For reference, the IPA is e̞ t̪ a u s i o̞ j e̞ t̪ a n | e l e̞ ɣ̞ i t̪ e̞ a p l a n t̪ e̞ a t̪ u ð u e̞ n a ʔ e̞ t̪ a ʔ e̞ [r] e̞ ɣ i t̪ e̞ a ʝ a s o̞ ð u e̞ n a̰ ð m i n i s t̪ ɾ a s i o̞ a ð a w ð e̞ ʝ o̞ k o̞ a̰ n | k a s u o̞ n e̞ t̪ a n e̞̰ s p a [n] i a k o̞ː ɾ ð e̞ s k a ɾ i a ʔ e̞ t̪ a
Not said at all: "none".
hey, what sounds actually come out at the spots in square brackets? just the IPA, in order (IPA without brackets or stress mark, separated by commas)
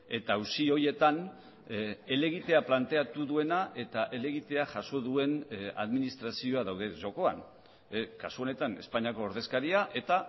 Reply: l, ɲ